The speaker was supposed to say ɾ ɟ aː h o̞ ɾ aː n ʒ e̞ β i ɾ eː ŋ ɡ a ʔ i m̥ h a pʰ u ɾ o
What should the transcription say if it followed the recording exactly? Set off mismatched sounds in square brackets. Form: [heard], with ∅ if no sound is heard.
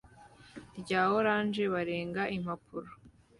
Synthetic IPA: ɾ ɟ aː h o̞ ɾ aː n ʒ e̞ β [a] ɾ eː ŋ ɡ a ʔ i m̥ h a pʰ u ɾ o